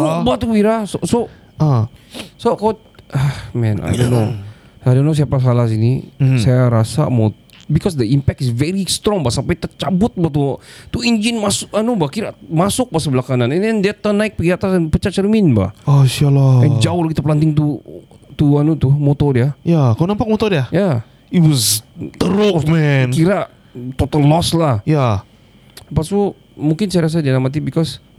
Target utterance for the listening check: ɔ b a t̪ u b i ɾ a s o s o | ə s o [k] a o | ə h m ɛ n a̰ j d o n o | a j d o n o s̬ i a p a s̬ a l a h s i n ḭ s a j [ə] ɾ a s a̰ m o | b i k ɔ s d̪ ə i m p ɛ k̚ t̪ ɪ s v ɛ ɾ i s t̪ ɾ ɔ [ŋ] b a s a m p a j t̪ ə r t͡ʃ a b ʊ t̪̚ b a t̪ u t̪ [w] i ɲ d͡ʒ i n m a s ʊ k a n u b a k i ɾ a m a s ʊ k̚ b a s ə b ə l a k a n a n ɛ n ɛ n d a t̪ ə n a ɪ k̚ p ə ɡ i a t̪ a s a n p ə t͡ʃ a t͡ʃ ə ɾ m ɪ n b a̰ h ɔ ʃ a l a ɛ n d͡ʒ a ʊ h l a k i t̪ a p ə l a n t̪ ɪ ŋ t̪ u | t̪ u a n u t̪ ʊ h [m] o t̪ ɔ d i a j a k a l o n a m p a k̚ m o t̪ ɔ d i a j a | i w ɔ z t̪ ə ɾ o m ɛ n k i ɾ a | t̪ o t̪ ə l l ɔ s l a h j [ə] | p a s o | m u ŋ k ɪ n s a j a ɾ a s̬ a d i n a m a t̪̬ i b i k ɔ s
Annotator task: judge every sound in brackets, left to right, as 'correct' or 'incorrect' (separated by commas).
correct, incorrect, correct, incorrect, correct, incorrect